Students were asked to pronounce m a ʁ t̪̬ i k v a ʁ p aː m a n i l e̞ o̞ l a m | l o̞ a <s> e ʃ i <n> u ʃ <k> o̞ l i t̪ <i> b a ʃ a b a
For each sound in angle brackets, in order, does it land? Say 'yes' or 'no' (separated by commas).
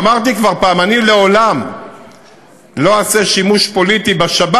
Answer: yes, no, no, yes